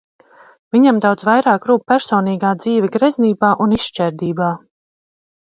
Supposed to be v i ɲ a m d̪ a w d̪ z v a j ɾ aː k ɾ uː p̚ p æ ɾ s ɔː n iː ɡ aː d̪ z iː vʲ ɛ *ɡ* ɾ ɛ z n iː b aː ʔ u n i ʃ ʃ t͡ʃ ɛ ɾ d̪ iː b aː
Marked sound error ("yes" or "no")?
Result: no